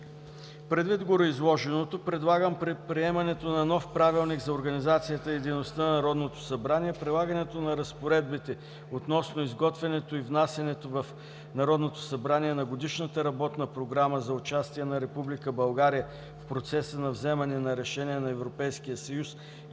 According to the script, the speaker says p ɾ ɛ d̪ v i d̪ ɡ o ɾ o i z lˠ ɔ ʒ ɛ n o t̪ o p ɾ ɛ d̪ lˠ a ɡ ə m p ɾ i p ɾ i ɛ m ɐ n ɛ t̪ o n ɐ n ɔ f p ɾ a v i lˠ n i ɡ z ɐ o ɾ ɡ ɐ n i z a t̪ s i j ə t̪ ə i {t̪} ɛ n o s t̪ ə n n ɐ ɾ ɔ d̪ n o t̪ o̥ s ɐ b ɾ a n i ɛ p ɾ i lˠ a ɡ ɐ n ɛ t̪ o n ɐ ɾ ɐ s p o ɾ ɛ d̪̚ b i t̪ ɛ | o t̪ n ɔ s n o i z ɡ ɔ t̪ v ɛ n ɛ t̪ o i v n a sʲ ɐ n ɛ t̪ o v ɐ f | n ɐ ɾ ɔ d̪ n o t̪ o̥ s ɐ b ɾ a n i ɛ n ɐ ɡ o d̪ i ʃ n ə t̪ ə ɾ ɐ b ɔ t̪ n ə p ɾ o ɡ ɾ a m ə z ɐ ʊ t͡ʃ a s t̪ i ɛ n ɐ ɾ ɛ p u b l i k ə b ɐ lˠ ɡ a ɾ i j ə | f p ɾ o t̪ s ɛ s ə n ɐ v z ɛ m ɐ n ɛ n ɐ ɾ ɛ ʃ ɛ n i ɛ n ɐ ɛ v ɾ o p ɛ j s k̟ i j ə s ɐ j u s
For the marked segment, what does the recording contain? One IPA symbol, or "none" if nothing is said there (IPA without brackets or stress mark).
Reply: d̪